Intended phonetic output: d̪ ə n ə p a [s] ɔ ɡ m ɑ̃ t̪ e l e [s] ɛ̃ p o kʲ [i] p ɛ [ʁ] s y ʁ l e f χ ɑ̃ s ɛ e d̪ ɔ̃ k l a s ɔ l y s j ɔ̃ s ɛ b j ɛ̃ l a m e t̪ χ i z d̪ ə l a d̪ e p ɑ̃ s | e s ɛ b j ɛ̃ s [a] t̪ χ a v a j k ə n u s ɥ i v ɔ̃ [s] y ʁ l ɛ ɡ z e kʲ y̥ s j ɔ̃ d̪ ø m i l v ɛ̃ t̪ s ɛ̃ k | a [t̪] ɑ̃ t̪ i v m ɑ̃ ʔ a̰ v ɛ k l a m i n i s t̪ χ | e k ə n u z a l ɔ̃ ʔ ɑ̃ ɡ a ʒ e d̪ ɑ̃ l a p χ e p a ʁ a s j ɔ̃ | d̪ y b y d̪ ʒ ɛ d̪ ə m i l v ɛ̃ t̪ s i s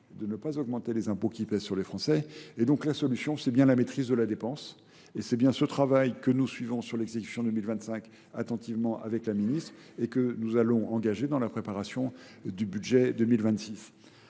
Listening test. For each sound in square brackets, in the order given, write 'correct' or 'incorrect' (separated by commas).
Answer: incorrect, incorrect, correct, incorrect, incorrect, correct, correct